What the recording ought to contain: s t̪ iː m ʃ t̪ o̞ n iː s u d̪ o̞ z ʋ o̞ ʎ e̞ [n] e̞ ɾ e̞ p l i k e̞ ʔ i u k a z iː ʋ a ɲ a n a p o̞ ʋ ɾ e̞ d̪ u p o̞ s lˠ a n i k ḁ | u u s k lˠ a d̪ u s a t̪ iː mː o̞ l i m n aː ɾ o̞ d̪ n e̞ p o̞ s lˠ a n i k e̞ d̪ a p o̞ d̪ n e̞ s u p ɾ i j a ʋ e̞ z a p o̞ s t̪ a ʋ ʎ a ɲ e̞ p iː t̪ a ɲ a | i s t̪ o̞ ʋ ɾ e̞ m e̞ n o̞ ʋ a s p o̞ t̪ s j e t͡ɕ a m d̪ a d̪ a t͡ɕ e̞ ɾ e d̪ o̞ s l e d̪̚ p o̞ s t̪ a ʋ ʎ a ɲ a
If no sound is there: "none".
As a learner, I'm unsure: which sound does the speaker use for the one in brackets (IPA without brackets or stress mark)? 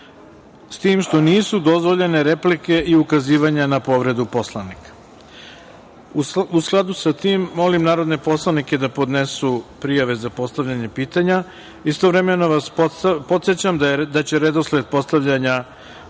n